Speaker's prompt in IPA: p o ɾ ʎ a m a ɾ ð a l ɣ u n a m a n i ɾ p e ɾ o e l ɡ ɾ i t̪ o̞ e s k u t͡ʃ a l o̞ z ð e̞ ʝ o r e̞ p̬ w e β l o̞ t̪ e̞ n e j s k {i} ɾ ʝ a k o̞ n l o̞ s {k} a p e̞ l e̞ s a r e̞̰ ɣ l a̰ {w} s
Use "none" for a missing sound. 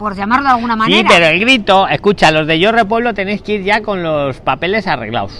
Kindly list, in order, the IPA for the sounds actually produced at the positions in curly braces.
i, p, w

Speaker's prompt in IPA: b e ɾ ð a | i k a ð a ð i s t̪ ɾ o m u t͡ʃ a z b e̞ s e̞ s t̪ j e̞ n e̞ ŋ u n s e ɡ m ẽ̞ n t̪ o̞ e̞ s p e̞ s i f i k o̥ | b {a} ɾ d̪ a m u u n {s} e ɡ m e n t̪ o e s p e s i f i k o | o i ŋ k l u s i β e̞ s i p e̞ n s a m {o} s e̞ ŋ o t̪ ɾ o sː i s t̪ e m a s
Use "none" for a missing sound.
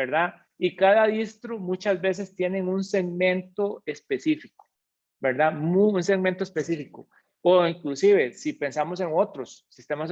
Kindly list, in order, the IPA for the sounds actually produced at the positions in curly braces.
e, s, o

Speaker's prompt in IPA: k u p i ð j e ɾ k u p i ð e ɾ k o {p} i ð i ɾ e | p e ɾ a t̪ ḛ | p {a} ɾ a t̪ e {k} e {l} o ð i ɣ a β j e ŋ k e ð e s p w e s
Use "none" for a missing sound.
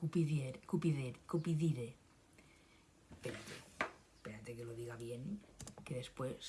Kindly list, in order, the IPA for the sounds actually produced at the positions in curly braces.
p, e, k, l

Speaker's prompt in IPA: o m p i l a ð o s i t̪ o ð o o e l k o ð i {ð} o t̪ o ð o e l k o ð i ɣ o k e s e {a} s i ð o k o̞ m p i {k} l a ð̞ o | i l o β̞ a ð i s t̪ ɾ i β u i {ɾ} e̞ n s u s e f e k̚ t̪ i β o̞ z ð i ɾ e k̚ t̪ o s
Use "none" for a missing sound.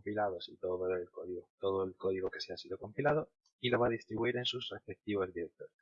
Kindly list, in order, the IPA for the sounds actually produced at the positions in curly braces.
ɣ, a, none, ɾ

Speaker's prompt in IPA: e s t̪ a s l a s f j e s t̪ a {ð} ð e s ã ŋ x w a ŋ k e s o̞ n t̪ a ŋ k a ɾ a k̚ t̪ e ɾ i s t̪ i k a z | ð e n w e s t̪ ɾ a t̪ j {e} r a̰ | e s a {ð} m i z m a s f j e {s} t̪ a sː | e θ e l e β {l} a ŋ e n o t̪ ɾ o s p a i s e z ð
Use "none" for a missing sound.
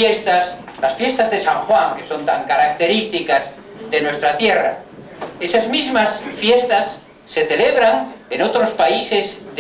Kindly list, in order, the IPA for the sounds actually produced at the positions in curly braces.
z, e, z, s, ɾ

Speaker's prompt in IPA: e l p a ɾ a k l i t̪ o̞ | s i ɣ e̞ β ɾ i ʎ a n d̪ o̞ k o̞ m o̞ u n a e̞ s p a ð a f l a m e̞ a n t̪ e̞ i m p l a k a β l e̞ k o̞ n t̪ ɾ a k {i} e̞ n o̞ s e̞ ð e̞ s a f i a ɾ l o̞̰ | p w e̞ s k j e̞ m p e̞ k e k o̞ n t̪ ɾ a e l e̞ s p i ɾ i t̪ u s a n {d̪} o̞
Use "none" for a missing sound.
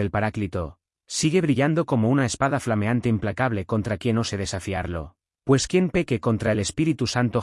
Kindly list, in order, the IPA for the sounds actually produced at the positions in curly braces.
j, t̪

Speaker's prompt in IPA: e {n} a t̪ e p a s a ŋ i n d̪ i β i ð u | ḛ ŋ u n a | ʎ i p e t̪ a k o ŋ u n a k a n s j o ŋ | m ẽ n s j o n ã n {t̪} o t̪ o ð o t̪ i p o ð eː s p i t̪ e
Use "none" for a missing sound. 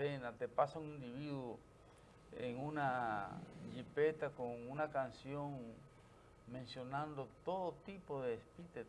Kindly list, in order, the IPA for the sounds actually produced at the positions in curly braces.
n, d̪

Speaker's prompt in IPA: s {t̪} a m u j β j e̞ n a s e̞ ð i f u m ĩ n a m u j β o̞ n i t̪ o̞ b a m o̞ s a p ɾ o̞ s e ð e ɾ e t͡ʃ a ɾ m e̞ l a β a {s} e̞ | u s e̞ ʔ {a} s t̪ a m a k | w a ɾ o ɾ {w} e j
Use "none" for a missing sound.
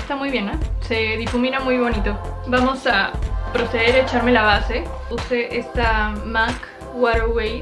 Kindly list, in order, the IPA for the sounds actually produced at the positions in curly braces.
t̪, s, e, w

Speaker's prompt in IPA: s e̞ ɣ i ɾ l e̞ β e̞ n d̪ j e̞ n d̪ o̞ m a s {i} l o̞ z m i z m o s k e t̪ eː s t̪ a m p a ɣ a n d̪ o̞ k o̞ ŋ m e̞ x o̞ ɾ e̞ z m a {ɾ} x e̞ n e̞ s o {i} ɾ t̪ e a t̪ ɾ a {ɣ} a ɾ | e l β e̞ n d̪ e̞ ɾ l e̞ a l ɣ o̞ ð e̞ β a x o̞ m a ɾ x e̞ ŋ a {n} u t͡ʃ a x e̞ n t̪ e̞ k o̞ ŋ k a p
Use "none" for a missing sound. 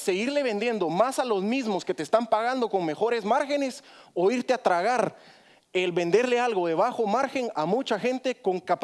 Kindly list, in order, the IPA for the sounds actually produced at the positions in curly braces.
a, ɾ, i, ɣ, m

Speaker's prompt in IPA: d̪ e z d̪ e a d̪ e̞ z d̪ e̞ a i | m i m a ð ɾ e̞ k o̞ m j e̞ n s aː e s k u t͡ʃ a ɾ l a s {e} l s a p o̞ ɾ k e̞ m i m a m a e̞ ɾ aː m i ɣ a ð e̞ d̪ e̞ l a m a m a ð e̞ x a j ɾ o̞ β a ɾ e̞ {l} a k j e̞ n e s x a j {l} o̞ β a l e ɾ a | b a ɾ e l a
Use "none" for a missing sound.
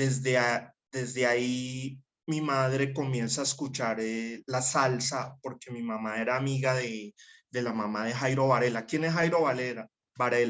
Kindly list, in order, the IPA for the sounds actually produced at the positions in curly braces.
a, l, ɾ

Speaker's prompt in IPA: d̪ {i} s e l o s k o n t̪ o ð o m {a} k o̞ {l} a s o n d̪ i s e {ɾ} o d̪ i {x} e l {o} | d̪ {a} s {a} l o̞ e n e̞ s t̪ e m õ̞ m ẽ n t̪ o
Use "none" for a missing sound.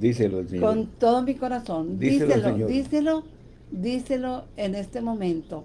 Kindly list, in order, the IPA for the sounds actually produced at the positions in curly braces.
i, i, ɾ, l, s, o, i, e

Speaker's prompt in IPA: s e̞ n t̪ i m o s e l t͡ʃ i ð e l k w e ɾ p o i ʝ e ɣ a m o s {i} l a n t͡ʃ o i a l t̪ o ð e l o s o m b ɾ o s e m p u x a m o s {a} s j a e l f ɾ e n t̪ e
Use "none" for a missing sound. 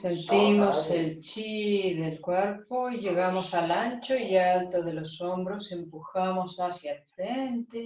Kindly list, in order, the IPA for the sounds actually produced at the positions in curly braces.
a, a

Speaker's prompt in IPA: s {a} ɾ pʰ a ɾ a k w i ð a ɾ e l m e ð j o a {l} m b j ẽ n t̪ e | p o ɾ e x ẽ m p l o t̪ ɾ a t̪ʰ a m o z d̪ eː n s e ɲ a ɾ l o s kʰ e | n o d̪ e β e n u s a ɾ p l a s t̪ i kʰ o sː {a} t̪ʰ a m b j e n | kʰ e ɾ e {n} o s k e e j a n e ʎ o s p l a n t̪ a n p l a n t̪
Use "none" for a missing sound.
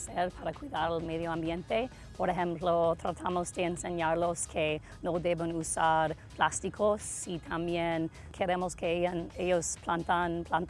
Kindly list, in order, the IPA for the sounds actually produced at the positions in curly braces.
e, none, i, m

